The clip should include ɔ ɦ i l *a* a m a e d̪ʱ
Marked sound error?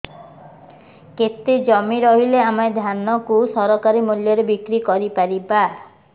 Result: yes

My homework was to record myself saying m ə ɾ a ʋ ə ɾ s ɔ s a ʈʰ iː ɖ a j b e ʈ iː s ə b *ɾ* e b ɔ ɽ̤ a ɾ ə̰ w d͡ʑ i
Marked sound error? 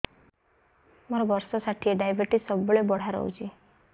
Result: yes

